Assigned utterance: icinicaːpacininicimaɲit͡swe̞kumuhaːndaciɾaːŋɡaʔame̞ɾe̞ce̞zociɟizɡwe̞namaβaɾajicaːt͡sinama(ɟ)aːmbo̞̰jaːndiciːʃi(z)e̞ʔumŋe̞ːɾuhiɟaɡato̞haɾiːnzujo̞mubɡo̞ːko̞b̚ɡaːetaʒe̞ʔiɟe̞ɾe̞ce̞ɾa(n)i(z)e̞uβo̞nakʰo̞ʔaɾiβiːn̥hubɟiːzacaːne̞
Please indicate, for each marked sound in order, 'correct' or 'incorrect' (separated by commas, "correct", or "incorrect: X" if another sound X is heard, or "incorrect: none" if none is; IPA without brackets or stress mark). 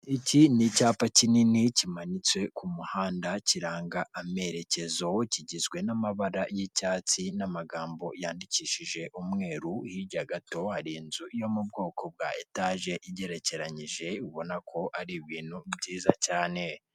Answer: incorrect: ɡ, incorrect: ʒ, incorrect: ɲ, incorrect: ʒ